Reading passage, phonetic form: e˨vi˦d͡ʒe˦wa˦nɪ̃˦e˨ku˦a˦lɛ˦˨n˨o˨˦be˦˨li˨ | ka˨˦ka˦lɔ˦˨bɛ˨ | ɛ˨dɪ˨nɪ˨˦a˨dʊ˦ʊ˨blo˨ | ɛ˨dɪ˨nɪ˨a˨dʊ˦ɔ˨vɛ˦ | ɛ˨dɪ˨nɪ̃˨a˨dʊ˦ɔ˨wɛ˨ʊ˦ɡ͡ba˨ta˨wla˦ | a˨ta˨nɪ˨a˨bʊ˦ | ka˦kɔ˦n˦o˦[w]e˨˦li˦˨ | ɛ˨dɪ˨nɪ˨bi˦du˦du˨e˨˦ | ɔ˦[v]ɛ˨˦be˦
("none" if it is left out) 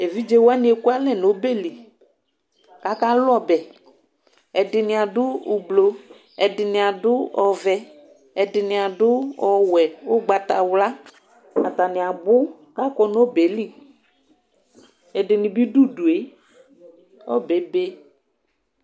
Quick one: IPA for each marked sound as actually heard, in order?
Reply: b, b

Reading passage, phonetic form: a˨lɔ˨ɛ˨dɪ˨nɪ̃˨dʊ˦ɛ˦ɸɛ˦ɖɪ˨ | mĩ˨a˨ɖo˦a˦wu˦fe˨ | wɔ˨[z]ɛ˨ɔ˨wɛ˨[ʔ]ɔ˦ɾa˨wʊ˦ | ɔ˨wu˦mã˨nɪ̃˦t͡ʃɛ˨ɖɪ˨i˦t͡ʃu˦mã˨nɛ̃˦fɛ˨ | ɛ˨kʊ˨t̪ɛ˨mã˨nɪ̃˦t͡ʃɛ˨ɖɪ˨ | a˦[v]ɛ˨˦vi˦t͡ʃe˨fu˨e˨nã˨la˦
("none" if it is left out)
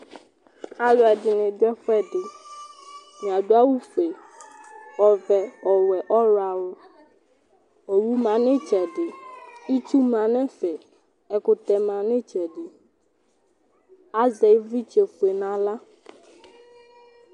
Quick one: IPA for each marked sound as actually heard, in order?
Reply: v, ʔ, z

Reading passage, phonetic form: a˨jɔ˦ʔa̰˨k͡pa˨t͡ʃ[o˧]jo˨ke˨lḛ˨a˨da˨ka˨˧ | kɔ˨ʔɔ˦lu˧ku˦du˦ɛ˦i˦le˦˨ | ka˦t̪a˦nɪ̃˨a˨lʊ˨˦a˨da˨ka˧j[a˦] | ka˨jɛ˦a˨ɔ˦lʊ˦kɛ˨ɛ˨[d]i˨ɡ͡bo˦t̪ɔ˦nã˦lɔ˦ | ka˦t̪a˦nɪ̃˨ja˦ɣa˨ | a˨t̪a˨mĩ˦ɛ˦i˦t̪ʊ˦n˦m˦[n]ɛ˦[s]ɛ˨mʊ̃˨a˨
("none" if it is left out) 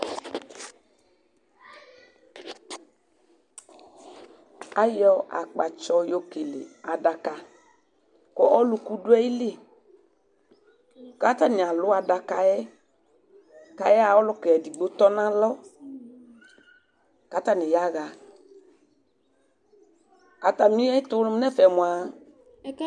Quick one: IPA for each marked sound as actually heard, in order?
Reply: ɔ˧, ɛ˦, d, n, f

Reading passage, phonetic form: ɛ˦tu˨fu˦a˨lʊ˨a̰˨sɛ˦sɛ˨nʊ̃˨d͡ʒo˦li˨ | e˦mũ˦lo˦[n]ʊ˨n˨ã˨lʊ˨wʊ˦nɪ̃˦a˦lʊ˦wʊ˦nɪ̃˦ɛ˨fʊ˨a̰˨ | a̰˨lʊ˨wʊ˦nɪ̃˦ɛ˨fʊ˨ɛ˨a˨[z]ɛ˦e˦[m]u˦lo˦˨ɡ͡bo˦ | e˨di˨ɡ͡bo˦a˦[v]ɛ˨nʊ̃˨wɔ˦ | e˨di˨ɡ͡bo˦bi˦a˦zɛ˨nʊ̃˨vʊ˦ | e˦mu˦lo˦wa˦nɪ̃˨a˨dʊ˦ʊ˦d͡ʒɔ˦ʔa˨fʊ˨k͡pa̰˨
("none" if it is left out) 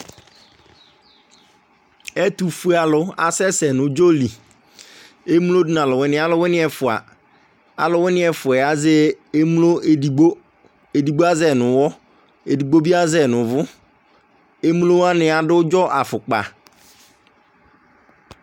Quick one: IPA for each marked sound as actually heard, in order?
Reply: d, z, m, z

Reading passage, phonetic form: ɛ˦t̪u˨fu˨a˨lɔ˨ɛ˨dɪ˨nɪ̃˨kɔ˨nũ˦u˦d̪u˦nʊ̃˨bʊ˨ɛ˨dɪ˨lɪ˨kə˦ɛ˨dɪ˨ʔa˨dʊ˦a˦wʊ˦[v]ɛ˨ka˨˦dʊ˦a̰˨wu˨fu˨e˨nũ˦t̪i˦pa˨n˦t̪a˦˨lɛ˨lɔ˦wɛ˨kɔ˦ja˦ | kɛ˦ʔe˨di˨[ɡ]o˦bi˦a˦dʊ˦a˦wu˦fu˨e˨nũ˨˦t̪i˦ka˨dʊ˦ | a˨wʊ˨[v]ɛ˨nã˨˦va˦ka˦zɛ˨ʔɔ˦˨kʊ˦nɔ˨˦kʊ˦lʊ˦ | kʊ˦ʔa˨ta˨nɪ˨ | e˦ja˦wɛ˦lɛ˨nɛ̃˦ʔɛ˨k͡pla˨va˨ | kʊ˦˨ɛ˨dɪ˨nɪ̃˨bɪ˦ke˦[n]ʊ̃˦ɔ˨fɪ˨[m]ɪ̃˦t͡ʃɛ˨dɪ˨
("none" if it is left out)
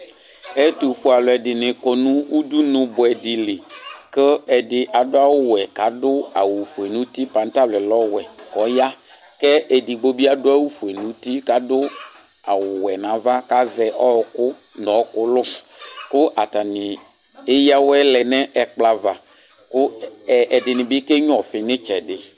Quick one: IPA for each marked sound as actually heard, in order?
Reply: w, ɡ͡b, w, ɲ, n

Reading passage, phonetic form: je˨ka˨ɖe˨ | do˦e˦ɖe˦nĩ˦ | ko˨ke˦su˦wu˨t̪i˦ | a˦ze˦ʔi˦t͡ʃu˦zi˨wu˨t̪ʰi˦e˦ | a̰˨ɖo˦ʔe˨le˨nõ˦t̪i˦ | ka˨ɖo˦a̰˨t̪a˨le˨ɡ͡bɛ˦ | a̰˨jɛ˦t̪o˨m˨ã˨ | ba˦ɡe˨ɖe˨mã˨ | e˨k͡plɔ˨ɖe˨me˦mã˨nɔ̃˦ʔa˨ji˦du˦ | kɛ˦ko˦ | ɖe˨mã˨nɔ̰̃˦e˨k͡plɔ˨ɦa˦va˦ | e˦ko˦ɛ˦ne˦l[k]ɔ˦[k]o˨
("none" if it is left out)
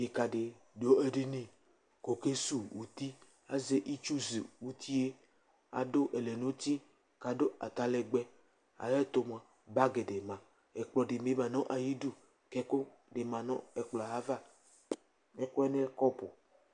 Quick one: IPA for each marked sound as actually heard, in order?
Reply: k, p

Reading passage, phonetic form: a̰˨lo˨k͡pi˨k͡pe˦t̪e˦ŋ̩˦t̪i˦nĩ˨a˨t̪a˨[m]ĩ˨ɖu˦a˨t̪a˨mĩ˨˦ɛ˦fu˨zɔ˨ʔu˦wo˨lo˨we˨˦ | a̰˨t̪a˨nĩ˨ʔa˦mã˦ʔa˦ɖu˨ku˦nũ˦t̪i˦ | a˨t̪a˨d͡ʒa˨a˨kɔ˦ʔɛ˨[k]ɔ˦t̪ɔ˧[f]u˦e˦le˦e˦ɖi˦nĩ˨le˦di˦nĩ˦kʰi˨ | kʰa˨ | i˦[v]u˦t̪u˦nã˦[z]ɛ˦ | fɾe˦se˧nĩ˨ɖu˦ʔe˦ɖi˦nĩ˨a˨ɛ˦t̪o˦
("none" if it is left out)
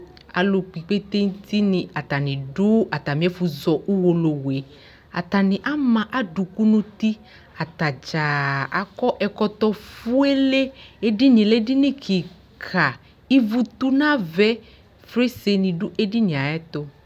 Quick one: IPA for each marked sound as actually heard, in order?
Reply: n, k, f, v, v

